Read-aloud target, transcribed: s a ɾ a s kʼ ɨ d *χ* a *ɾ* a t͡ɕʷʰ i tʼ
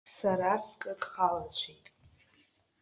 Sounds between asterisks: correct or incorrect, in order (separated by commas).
correct, incorrect